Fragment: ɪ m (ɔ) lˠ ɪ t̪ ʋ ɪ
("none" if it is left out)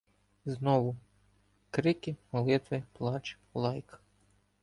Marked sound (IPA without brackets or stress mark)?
ɔ